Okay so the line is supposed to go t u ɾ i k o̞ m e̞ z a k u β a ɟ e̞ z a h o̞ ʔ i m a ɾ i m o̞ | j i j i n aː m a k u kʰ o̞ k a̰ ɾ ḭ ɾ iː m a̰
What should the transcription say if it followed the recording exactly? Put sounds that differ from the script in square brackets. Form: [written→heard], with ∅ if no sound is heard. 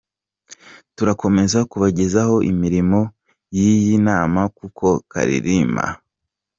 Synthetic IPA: t u ɾ [i→a] k o̞ m e̞ z a k u β a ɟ e̞ z a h o̞ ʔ i m [a→i] ɾ i m o̞ | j i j i n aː m a k u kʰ o̞ k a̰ ɾ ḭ ɾ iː m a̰